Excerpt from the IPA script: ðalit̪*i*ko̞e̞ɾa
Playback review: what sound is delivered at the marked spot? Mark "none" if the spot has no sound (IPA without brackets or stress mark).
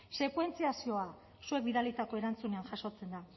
a